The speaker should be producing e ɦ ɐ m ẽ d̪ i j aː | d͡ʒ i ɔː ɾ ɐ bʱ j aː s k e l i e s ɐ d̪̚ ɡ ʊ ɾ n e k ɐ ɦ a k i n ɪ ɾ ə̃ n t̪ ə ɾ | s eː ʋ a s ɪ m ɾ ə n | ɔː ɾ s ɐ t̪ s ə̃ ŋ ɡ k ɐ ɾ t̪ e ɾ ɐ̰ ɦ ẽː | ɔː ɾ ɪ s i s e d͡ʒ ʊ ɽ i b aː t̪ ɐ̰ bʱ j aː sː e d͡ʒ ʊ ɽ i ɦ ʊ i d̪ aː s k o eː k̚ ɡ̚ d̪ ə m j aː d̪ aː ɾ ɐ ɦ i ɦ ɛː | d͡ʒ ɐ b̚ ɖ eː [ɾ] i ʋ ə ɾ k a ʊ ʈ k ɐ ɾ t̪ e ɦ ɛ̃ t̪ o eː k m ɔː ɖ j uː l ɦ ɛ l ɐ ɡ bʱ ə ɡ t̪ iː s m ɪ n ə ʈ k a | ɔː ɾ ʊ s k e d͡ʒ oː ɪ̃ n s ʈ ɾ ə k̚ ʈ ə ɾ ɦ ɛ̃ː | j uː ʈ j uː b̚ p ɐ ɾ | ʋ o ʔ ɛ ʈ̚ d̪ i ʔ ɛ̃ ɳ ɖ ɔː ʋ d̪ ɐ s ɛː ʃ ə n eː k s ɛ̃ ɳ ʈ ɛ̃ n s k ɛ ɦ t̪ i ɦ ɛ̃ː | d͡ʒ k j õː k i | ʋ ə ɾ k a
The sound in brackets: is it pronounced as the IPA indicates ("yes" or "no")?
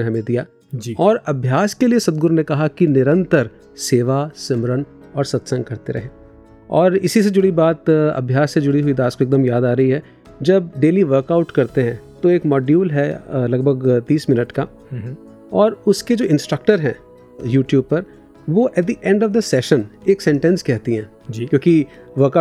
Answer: no